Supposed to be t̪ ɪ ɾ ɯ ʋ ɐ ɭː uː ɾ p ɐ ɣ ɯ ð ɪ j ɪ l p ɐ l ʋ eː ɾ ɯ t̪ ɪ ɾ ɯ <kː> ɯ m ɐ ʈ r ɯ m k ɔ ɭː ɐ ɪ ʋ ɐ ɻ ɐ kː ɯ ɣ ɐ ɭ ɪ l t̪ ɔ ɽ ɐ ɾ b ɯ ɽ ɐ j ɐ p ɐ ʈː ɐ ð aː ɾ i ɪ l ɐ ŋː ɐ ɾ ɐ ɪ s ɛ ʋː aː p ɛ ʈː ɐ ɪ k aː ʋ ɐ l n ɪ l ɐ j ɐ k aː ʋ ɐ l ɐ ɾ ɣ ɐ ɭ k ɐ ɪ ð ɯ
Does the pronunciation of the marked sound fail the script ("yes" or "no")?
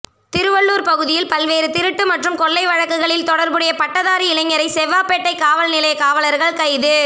yes